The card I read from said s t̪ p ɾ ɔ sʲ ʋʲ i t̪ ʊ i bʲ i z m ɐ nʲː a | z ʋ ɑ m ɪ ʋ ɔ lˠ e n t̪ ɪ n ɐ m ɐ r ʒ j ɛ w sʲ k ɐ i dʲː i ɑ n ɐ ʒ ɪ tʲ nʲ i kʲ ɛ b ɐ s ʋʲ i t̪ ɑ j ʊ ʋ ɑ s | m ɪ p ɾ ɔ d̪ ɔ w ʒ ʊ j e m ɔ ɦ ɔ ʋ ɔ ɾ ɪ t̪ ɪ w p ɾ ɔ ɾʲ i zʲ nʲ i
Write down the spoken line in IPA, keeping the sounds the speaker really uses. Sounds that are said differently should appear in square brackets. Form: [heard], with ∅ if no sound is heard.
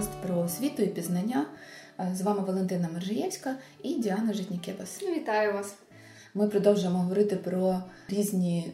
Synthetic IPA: s t̪ p ɾ ɔ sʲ ʋʲ i t̪ ʊ i [pʲ] i z [n] ɐ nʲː a | z ʋ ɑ m ɪ ʋ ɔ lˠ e n t̪ ɪ n ɐ m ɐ r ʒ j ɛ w sʲ k ɐ i [dʲ] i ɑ n ɐ ʒ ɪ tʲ nʲ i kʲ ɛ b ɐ s ʋʲ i t̪ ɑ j ʊ ʋ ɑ s | m ɪ p ɾ ɔ d̪ ɔ w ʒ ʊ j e m ɔ ɦ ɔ ʋ ɔ ɾ ɪ t̪ ɪ [∅] p ɾ ɔ ɾʲ i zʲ nʲ i